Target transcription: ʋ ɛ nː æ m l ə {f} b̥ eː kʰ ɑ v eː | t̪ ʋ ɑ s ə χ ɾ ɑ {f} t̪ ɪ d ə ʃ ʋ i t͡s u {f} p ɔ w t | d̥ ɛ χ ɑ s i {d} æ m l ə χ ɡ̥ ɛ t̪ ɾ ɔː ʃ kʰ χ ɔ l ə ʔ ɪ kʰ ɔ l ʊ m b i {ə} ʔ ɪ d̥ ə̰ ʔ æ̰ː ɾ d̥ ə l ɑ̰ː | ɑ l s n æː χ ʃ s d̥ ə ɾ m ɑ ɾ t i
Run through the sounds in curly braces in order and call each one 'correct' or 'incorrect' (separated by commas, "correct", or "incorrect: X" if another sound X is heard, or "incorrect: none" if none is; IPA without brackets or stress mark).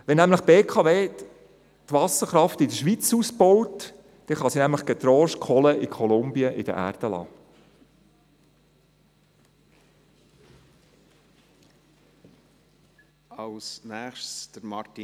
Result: incorrect: χ, correct, incorrect: s, incorrect: n, correct